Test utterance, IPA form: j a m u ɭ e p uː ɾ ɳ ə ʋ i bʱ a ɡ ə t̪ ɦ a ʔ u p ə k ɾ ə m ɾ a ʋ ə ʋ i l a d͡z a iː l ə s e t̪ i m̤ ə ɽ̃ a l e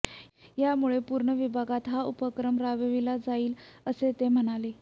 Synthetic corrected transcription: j a m u ɭ e p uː ɾ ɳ ə ʋ i bʱ a ɡ a t̪ ɦ a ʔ u p ə k ɾ ə m ɾ a ʋ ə ʋ i l a d͡z a iː l ə s e t̪ e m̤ ə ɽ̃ a l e